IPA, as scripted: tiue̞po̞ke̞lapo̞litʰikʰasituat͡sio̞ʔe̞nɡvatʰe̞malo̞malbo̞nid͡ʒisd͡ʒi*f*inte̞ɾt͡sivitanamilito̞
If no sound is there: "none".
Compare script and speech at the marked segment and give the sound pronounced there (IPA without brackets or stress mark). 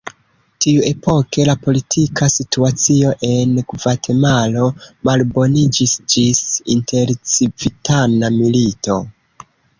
s